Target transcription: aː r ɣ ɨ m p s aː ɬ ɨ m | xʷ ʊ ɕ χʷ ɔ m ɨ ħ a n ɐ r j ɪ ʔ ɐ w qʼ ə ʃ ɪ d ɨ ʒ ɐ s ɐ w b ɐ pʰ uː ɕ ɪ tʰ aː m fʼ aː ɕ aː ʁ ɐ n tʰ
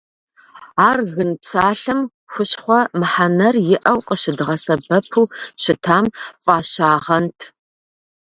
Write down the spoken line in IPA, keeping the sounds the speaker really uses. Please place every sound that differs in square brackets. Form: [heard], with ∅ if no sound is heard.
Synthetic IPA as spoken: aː r ɣ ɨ [n] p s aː ɬ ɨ m | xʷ ʊ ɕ χʷ ɔ m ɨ ħ a n ɐ r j ɪ ʔ ɐ w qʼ ə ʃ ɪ d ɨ [ʁ] ɐ s ɐ [∅] b ɐ pʰ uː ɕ ɪ tʰ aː m fʼ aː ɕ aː ʁ ɐ n tʰ